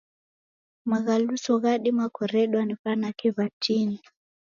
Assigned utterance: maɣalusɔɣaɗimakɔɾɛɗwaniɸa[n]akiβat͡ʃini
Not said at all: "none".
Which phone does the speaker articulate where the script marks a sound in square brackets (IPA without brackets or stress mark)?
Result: n